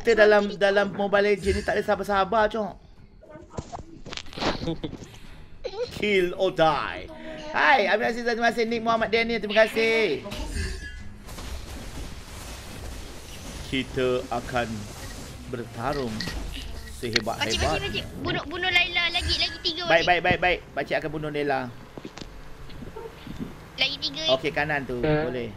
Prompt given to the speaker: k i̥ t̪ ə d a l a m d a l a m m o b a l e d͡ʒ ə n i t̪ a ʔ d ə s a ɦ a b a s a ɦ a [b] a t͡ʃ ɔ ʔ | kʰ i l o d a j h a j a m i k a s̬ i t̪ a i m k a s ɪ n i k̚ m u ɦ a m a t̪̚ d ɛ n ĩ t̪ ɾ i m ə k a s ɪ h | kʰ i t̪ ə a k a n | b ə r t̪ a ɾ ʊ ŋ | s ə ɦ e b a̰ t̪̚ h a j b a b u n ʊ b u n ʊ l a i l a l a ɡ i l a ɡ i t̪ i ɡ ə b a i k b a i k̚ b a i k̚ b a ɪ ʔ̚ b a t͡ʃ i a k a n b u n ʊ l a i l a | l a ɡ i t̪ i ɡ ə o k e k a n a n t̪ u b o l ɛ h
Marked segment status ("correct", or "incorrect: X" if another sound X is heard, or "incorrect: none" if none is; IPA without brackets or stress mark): correct